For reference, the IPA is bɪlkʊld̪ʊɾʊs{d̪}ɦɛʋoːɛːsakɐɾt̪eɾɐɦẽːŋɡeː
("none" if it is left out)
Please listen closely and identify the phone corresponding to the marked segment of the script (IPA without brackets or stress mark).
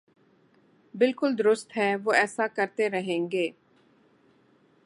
t̪